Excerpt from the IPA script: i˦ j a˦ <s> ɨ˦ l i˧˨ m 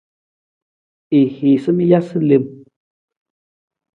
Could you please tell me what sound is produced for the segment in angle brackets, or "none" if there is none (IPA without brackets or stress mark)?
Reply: s